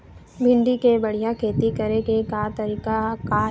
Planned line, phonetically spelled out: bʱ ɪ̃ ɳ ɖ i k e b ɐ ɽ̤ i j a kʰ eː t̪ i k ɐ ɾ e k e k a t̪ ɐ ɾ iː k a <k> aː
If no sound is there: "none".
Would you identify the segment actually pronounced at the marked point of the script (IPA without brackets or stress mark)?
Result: k